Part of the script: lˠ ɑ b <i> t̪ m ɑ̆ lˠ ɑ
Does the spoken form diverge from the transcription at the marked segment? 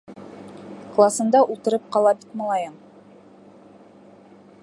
no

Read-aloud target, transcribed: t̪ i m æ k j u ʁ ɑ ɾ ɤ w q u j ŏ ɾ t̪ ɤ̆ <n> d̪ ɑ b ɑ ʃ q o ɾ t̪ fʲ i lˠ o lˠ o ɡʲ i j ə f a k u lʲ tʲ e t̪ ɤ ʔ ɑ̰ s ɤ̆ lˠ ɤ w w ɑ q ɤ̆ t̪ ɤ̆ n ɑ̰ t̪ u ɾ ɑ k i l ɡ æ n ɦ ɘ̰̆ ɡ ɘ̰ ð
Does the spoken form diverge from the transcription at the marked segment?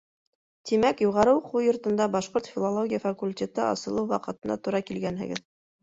no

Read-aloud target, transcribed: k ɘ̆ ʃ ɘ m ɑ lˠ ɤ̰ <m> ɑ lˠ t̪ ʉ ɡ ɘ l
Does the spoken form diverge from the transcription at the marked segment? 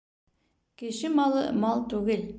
no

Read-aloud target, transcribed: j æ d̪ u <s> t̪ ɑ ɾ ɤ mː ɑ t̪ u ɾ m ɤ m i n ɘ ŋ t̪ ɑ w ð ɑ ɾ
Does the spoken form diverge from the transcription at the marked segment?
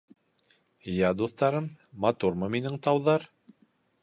yes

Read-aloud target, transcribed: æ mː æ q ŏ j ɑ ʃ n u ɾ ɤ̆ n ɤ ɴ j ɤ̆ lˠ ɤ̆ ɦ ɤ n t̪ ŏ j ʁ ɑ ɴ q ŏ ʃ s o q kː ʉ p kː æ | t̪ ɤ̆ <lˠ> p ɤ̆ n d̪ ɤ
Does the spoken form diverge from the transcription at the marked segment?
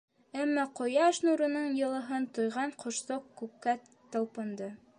no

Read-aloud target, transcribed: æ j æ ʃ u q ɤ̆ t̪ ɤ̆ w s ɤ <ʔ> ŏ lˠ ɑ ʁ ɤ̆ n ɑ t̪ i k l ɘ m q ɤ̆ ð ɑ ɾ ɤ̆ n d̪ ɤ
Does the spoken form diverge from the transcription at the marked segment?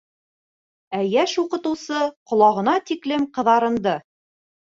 yes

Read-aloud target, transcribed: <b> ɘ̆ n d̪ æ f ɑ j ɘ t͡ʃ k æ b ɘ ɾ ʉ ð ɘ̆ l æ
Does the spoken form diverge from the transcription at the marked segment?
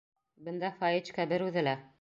no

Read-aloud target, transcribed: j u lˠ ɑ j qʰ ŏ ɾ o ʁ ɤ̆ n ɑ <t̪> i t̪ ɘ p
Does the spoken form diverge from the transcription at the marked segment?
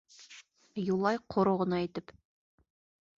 yes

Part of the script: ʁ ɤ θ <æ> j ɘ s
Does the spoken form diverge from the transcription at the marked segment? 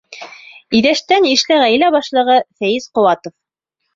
no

